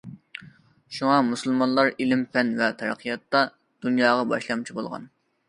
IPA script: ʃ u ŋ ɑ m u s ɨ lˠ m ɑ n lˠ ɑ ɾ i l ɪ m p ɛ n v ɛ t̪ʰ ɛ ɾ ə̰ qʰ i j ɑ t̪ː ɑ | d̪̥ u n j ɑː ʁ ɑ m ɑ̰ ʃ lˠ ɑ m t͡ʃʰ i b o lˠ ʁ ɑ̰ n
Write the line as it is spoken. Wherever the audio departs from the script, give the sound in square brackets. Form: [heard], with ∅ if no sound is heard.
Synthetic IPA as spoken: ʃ u ŋ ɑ m u s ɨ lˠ m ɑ n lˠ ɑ ɾ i l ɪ m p ɛ n v ɛ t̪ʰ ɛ ɾ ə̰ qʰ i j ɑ t̪ː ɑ | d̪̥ u n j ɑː ʁ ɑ [b] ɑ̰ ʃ lˠ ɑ m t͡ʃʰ i b o lˠ ʁ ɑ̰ n